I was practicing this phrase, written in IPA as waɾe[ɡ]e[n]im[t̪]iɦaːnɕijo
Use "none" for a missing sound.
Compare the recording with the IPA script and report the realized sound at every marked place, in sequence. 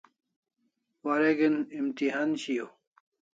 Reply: ɡ, n, t̪

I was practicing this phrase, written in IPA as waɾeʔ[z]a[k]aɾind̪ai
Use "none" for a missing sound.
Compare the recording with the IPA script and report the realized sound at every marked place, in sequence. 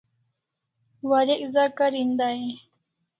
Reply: z, k

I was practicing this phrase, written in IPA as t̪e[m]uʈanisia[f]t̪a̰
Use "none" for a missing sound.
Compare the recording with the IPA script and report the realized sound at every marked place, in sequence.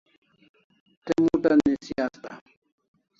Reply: m, s

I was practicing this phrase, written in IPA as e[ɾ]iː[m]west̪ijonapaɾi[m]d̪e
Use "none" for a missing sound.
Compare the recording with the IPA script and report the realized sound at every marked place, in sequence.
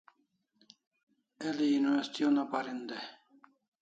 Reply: l, n, n

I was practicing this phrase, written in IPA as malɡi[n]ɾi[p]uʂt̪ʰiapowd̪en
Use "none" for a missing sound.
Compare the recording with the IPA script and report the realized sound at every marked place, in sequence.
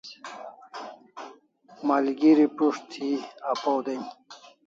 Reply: none, p

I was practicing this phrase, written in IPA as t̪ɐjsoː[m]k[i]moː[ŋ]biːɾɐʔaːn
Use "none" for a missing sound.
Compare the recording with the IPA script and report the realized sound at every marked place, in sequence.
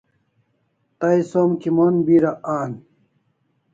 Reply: m, i, n

